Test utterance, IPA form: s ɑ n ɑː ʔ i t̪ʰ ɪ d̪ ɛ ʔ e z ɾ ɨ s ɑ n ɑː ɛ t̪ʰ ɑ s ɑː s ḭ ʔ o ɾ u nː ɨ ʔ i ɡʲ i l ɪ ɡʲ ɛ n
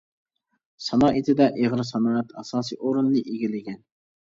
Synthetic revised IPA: s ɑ n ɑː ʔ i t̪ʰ ɪ d̪ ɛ ʔ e ʁ ɾ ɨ s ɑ n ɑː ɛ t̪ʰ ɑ s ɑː s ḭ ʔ o ɾ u nː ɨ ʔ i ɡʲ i l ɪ ɡʲ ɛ n